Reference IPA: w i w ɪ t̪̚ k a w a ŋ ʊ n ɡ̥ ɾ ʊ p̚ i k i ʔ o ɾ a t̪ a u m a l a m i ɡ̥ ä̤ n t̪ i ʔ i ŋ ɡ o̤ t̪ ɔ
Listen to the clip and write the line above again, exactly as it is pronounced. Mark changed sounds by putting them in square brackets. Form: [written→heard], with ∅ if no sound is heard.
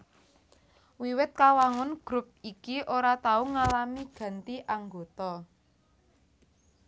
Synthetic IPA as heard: w i w ɪ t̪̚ k a w a ŋ ʊ n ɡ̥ ɾ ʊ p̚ i k i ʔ o ɾ a t̪ a u [m→ŋ] a l a m i ɡ̥ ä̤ n t̪ i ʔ [i→a] ŋ ɡ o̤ t̪ ɔ